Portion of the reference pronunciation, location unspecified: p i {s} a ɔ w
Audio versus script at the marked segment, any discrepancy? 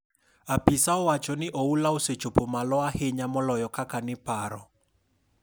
no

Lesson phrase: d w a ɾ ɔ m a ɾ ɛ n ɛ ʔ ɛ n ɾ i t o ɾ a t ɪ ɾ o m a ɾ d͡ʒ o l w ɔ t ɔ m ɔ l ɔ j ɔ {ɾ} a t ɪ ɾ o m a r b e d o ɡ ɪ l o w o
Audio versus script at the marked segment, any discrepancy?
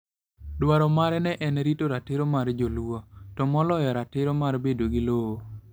no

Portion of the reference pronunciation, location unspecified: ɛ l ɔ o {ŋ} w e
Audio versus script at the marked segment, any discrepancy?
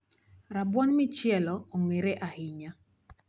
no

